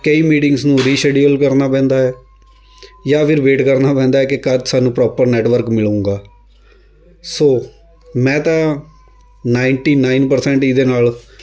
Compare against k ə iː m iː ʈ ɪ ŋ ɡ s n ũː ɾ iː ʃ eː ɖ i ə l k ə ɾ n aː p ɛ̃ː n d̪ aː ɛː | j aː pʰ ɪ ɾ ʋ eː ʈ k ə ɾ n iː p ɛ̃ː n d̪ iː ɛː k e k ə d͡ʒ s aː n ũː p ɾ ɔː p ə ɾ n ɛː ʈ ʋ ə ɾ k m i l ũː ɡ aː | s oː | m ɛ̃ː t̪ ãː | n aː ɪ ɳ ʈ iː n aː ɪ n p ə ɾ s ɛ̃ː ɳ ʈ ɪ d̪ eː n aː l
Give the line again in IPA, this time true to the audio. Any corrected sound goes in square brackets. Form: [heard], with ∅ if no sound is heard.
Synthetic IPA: k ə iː m iː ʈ ɪ ŋ ɡ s n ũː ɾ iː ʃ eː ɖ i ə l k ə ɾ n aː p ɛ̃ː n d̪ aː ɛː | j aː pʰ ɪ ɾ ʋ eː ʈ k ə ɾ n [aː] p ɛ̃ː n d̪ [aː] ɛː k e k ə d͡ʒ s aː n ũː p ɾ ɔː p ə ɾ n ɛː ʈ ʋ ə ɾ k m [ɪ] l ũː ɡ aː | s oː | m ɛ̃ː t̪ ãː | n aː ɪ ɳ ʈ iː n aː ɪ n p ə ɾ s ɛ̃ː ɳ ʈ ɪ d̪ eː n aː l